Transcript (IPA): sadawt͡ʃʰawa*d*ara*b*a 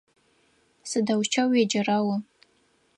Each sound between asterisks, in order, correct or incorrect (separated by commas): incorrect, incorrect